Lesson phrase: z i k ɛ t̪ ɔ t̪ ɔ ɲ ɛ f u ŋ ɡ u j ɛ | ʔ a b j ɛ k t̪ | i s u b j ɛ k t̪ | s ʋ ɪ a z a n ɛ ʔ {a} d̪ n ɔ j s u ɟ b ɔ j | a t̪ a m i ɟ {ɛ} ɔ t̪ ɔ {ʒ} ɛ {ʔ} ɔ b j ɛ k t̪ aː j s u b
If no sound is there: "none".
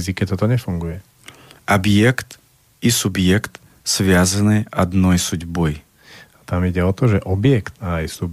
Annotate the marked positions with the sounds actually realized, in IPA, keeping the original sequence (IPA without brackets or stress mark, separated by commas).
a, ɛ, ʒ, ʔ